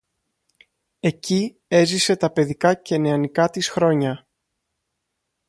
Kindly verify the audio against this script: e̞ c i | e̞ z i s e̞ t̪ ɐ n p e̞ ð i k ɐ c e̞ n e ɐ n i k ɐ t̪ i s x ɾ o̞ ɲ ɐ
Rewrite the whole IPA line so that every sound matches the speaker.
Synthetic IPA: e̞ c i | e̞ z i s e̞ t̪ ɐ p e̞ ð i k ɐ c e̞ n e ɐ n i k ɐ t̪ i s x ɾ o̞ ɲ ɐ